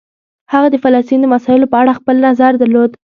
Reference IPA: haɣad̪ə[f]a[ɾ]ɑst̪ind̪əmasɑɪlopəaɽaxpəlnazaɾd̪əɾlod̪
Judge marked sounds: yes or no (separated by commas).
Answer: yes, no